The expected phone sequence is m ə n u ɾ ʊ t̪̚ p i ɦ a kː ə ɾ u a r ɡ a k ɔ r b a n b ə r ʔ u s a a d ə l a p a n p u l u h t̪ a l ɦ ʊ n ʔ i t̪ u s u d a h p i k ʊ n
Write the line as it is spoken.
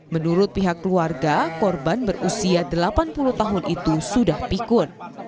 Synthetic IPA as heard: m ə n u ɾ ʊ t̪̚ p i ɦ a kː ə l u a r ɡ a k ɔ r b a n b ə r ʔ u s i a d ə l a p a n p u l u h t̪ a ɦ ʊ n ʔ i t̪ u s u d a h p i k ʊ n